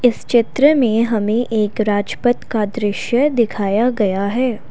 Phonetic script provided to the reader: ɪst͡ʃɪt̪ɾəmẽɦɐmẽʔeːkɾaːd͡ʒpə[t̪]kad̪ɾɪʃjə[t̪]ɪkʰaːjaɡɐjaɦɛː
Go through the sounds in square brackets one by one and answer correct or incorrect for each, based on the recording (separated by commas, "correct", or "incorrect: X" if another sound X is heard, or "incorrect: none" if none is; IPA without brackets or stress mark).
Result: correct, incorrect: d̪